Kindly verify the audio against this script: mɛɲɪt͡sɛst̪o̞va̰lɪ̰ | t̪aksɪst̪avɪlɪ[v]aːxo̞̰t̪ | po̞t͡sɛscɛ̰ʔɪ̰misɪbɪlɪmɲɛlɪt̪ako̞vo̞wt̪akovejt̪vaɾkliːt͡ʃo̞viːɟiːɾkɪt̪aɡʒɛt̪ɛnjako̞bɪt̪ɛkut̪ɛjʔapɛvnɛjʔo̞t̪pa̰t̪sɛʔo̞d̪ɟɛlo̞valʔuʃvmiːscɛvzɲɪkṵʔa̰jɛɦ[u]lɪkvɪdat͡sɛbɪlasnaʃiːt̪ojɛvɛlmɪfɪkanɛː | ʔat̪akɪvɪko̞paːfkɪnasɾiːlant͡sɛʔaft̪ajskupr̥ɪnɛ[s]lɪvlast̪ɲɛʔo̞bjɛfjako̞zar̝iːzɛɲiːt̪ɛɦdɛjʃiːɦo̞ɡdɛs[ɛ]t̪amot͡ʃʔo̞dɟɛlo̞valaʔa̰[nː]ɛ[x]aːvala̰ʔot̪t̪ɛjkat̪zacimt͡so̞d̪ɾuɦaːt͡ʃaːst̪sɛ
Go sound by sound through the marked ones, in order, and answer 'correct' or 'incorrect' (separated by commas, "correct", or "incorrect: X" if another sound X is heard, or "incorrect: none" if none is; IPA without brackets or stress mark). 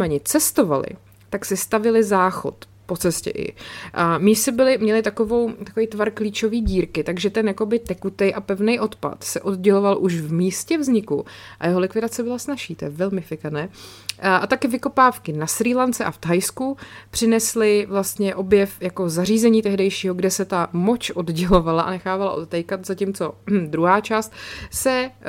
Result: incorrect: z, incorrect: o, correct, correct, incorrect: n, correct